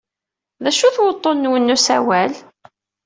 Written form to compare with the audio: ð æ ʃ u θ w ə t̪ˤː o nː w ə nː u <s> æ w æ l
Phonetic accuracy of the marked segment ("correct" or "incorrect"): correct